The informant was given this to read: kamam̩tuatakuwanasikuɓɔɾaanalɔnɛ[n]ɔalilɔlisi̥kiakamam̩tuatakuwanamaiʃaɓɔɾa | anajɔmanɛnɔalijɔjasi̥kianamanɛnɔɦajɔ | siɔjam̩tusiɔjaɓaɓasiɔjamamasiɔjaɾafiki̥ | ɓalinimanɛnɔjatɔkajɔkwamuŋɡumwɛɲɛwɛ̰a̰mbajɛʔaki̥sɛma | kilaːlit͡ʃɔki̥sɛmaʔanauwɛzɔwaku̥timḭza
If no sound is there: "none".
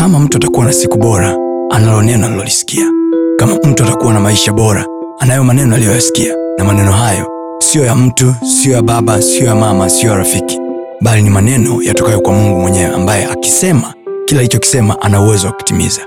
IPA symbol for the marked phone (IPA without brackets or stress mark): n